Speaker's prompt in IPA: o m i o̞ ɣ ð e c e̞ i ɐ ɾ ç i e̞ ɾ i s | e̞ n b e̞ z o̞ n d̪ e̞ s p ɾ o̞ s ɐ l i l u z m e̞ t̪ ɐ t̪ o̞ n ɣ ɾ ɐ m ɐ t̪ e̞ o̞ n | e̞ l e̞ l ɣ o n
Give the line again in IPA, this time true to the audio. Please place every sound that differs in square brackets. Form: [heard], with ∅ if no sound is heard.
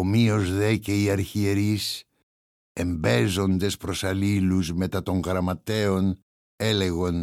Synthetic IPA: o m i o̞ [z] ð e c e̞ i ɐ ɾ ç i e̞ ɾ i s | e̞ [m] b e̞ z o̞ n d̪ e̞ s p ɾ o̞ s ɐ l i l u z m e̞ t̪ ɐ t̪ o̞ [ŋ] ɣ ɾ ɐ m ɐ t̪ e̞ o̞ n | e̞ l e̞ [∅] ɣ o n